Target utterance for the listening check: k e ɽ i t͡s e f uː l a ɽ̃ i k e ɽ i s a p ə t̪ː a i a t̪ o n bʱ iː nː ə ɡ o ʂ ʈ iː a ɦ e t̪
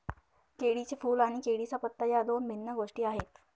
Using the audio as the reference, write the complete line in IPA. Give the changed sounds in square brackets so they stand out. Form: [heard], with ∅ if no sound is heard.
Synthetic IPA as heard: k e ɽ i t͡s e f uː l a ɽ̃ i k e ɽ i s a p ə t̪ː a [j] a [d̪] o n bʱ [i] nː ə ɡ o ʂ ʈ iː a ɦ e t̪